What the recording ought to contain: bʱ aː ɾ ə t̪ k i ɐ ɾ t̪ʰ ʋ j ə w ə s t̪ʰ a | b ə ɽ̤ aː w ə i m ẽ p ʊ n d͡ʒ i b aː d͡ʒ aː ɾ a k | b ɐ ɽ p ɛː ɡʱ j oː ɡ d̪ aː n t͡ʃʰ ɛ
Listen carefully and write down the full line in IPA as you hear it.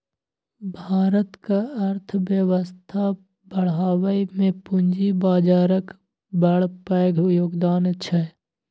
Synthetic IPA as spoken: bʱ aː ɾ ə t̪ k a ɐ ɾ t̪ʰ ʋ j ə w ə s t̪ʰ a | b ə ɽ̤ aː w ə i m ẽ p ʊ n d͡ʒ i b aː d͡ʒ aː ɾ ə k | b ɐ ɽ p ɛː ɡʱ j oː ɡ d̪ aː n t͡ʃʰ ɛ